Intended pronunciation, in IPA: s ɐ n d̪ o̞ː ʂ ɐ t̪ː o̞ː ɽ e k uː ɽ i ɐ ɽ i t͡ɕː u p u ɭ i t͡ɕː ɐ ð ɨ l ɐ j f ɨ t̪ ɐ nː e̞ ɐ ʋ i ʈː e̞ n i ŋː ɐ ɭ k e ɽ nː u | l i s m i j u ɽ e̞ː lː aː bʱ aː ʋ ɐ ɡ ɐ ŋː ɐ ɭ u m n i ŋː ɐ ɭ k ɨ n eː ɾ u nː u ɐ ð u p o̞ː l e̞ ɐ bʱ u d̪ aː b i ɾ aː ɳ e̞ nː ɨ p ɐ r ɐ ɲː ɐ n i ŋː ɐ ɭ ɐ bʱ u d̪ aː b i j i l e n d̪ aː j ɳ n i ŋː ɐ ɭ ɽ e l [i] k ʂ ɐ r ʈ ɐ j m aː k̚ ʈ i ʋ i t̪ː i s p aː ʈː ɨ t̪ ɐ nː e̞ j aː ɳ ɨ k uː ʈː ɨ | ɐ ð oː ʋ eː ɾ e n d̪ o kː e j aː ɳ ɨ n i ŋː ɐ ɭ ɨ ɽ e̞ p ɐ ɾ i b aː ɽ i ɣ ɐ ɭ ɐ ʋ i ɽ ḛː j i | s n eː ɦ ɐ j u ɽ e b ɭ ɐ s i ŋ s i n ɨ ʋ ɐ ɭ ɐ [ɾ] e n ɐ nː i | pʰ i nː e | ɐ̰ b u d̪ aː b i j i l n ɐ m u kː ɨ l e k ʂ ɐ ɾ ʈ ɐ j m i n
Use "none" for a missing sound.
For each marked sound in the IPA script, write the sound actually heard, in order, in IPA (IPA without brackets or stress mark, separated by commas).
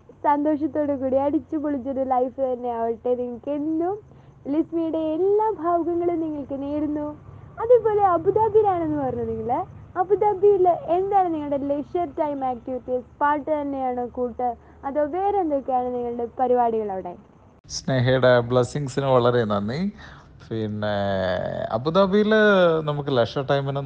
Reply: e, ɾ